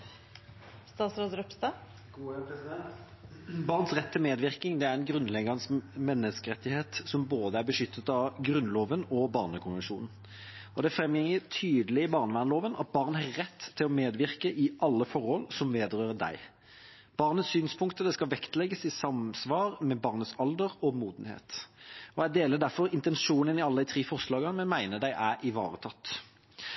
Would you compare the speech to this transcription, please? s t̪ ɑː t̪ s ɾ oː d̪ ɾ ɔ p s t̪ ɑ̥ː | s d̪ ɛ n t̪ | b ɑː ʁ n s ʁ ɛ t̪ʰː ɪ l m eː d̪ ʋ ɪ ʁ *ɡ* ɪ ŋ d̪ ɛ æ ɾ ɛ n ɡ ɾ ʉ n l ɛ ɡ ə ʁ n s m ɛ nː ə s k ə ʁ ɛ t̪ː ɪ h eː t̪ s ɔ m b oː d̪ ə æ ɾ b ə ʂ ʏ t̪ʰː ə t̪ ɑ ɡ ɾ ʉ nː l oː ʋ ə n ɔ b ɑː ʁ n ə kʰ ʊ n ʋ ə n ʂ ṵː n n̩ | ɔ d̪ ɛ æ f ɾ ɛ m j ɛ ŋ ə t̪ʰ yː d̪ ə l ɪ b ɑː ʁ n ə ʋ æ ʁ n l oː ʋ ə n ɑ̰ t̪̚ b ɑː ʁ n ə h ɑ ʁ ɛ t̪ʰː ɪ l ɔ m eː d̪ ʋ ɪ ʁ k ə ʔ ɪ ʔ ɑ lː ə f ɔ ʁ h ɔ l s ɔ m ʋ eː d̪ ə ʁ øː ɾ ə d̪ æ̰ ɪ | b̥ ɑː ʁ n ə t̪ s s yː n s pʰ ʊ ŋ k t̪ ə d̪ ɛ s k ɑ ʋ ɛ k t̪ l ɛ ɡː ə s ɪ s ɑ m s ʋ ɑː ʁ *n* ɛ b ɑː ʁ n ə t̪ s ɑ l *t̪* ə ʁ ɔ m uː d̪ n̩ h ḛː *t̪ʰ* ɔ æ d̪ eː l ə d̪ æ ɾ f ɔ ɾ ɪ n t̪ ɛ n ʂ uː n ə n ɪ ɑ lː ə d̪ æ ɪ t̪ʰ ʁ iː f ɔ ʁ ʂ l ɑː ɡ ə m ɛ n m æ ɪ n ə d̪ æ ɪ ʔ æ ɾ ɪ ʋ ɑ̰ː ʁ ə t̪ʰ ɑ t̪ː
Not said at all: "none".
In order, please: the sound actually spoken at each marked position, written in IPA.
k, m, d̪, t̪

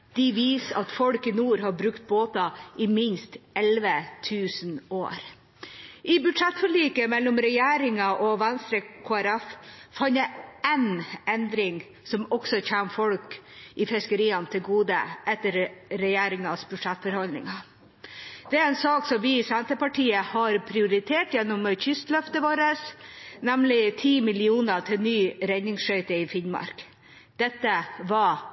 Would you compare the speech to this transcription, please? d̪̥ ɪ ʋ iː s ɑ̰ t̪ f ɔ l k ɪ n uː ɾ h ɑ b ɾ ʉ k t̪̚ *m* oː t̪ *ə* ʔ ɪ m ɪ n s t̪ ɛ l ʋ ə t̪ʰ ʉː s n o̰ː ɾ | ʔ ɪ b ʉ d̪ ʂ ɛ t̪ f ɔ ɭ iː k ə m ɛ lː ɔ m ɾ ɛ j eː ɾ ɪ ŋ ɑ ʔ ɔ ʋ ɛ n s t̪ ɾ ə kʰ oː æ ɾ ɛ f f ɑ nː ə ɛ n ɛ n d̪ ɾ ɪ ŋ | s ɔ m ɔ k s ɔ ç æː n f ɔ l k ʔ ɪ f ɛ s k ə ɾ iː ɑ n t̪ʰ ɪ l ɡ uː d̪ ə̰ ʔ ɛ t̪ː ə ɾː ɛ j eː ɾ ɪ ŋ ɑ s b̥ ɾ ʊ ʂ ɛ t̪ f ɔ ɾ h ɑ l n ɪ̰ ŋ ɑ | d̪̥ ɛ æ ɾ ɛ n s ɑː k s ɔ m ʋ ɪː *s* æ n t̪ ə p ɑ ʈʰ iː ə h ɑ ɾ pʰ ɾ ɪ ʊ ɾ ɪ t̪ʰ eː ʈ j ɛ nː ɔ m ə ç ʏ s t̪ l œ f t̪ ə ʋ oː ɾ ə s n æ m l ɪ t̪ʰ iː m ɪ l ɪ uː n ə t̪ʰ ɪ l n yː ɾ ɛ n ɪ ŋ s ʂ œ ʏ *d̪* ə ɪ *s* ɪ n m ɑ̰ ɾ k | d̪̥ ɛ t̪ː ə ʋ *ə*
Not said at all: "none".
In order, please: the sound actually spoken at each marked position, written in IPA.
b, ɑ, s, t̪, f, ɑ

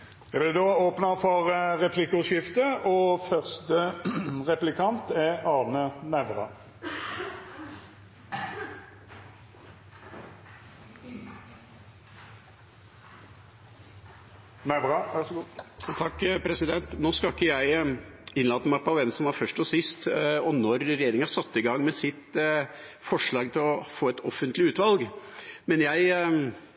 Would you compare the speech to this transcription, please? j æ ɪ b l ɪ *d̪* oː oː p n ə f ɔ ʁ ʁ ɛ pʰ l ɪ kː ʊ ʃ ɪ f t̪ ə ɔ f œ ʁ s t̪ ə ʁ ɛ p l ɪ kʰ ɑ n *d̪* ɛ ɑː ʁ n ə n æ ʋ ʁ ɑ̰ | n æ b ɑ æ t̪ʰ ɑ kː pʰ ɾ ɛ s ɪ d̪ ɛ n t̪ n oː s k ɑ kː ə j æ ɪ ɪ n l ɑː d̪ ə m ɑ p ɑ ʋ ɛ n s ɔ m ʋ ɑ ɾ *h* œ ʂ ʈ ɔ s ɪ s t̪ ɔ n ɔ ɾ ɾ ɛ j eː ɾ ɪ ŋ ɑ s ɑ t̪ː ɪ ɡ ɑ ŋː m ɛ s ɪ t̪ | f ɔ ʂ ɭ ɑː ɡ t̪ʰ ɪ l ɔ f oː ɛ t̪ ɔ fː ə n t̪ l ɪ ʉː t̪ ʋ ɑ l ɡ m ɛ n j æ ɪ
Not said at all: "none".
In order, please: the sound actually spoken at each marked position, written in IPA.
d̪, t̪, f

